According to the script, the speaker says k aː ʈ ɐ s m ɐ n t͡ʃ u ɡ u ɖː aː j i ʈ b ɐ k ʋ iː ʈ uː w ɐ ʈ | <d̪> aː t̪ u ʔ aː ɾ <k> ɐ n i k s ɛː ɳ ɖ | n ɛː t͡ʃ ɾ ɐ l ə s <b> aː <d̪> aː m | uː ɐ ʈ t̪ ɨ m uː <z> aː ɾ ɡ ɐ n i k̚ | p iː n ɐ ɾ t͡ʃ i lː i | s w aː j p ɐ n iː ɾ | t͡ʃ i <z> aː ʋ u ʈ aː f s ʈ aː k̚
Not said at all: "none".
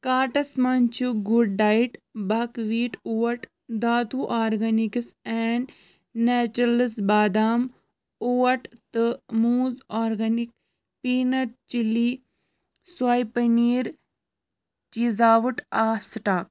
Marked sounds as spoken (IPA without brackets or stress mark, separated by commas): d̪, ɡ, b, d̪, z, z